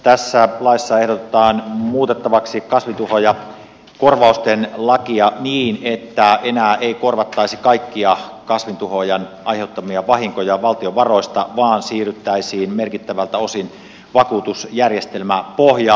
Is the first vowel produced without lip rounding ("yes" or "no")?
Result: yes